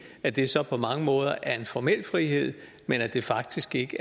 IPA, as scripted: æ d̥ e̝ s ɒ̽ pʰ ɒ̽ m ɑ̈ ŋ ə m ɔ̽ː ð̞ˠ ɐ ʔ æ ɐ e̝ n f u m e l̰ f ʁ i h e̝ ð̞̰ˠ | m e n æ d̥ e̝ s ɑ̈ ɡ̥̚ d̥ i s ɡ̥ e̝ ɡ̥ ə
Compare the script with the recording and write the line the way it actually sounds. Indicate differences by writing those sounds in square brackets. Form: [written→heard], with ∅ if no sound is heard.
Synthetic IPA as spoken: æ d̥ e̝ s ɒ̽ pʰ ɒ̽ m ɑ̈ ŋ ə m ɔ̽ː ð̞ˠ ɐ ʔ æ ɐ e̝ n f [u→ɒ] m e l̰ f ʁ i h e̝ ð̞̰ˠ | m e n æ d̥ e̝ [s→f] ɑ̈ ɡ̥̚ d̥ i s ɡ̥ e̝ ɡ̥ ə